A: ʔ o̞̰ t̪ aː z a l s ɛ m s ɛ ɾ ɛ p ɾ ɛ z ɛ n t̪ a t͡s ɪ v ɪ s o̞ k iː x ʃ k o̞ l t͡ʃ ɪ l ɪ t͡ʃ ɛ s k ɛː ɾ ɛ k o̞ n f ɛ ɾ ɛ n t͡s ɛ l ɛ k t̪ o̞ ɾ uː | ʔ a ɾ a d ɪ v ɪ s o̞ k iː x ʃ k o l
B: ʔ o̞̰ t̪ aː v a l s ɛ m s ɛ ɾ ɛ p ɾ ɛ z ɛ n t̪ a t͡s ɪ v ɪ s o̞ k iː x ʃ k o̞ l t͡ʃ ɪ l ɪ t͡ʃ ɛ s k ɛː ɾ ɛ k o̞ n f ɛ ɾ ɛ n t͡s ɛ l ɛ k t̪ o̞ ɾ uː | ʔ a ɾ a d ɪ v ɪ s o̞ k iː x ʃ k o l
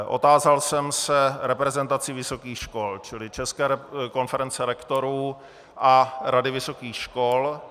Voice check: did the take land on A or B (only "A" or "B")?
A